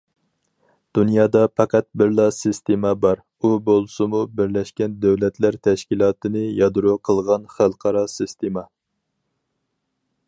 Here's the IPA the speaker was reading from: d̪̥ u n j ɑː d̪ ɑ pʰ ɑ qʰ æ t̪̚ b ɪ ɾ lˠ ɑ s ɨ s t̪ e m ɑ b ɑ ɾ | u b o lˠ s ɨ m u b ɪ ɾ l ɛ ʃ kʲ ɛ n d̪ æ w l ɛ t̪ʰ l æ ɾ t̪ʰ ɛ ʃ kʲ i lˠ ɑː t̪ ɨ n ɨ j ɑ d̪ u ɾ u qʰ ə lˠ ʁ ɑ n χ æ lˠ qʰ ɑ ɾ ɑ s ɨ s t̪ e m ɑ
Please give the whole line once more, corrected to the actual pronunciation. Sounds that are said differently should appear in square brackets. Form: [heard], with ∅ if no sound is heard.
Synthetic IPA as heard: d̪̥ u n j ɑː d̪ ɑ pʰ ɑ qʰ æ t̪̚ b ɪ ɾ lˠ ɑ s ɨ s t̪ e m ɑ b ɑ ɾ | u b o lˠ s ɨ m u b ɪ ɾ l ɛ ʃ kʲ ɛ n d̪ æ w l ɛ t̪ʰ l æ ɾ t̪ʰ ɛ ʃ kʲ i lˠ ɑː t̪ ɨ n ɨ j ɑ d̪ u ɾ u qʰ ə lˠ ʁ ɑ n χ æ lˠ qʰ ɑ ɾ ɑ s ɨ s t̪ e m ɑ